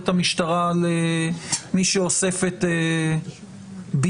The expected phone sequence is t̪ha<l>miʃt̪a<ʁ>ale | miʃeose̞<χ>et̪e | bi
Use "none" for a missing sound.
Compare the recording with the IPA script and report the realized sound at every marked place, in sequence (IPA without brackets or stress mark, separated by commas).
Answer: none, ʁ, f